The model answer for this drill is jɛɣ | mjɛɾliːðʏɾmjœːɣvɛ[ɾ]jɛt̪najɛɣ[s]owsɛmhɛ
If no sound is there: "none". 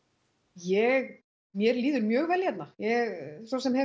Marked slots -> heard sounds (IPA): l, s

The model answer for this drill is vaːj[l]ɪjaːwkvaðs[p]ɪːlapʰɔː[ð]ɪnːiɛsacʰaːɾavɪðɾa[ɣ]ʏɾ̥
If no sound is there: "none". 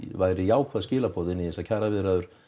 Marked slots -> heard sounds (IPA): ɾ, c, ð, ð

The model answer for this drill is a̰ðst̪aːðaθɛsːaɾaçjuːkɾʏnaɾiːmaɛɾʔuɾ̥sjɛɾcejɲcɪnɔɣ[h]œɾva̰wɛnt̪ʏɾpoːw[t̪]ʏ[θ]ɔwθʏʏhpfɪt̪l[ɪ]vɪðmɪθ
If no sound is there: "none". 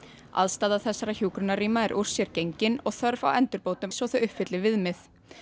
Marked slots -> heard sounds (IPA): θ, t̪, s, ɪ

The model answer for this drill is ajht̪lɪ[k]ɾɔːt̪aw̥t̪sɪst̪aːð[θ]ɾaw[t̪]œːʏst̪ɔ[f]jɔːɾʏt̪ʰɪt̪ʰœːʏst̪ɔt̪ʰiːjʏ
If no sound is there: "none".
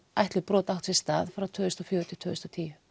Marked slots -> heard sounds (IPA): p, f, t̪ʰ, f

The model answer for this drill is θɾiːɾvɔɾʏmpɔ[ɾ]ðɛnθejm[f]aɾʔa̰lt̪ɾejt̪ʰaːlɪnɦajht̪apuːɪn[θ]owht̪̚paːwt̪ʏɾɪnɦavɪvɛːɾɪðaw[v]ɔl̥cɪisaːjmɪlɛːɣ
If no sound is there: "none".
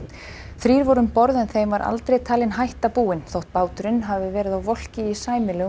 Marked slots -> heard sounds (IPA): ɾ, v, θ, v

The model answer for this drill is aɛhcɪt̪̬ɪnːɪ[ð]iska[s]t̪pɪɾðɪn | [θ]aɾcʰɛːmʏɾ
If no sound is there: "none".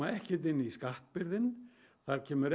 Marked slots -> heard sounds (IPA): none, h, θ

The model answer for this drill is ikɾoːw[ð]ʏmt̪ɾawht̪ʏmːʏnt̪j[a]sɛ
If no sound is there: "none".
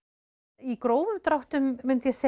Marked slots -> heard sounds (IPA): v, ɛ

